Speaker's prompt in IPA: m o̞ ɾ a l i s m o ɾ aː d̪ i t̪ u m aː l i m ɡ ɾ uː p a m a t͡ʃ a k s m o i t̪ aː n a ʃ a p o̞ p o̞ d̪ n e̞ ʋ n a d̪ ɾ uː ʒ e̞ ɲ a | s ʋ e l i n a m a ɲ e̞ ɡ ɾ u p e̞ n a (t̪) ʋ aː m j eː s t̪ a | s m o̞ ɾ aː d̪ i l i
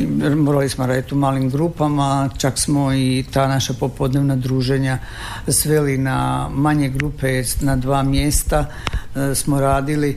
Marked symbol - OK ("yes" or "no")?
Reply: no